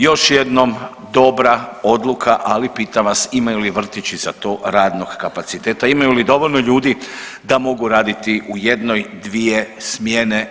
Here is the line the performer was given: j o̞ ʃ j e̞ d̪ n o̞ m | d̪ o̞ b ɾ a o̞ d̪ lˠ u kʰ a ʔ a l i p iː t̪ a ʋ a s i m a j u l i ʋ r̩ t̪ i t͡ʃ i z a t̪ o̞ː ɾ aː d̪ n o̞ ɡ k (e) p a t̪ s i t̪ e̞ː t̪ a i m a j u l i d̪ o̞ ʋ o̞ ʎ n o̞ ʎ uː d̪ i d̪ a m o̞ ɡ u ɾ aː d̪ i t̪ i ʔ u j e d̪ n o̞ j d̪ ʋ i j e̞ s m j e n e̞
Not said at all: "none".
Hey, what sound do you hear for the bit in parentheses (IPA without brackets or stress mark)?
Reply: a